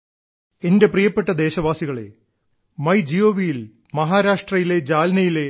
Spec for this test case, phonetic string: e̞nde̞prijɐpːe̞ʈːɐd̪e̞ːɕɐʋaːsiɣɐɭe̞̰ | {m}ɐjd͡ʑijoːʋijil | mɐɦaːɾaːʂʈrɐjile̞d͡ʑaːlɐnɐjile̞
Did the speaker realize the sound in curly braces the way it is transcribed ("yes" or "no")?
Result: yes